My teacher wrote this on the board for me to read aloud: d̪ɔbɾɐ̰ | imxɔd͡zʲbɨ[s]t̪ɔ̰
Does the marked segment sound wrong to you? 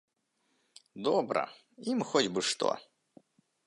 yes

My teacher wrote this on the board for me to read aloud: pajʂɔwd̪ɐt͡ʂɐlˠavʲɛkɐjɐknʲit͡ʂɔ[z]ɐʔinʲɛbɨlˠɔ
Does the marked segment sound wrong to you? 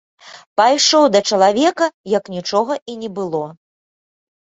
yes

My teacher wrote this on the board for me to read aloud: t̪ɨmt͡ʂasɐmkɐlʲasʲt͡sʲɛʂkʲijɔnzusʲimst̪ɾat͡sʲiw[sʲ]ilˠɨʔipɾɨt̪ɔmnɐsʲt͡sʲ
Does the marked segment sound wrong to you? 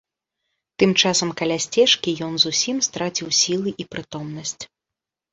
no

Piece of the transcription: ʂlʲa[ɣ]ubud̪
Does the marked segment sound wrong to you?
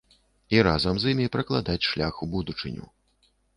yes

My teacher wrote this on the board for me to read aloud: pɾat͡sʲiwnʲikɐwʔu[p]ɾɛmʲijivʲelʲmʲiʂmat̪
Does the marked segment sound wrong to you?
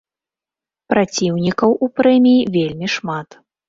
no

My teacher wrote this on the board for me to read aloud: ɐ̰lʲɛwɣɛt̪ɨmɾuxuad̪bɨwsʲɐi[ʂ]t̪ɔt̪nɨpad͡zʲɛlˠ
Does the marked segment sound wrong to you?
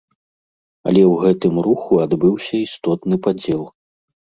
yes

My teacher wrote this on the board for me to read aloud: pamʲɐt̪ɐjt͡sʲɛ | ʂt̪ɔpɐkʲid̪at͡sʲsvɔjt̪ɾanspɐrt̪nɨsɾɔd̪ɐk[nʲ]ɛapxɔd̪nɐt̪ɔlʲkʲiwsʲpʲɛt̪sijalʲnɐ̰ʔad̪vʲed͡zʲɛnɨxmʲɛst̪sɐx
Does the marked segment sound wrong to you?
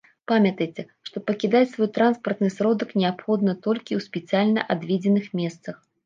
no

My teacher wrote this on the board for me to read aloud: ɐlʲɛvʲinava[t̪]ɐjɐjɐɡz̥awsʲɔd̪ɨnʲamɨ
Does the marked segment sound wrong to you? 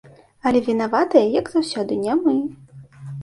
no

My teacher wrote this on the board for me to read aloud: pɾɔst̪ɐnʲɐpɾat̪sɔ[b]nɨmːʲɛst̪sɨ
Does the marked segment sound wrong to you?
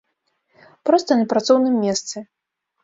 yes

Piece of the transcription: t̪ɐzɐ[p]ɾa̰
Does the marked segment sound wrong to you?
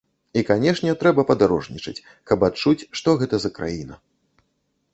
yes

